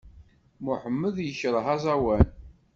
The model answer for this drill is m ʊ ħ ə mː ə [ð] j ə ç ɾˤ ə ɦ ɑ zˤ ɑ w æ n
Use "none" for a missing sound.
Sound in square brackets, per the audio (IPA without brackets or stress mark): ð